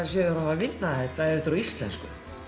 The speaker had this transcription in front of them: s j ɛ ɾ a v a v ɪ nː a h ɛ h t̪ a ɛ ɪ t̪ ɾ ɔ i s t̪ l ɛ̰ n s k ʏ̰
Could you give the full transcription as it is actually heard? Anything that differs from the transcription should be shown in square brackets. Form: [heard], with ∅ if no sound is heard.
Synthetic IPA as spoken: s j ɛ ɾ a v a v ɪ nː a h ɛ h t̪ a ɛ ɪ t̪ ɾ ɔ i s t̪ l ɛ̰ n s k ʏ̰